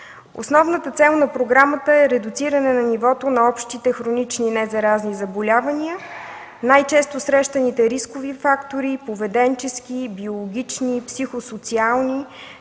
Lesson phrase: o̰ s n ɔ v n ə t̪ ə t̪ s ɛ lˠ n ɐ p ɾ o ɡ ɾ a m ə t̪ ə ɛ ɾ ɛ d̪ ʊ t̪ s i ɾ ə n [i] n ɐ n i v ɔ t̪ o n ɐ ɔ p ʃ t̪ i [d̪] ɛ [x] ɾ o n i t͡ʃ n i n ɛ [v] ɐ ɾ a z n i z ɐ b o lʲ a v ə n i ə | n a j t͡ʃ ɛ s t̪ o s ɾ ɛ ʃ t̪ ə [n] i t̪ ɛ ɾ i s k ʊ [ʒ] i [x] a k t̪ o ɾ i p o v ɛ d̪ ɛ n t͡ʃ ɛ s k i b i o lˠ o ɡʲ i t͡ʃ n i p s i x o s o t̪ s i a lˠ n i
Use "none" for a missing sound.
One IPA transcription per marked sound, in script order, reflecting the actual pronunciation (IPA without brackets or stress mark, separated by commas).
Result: ɛ, t̪, x, z, n, v, f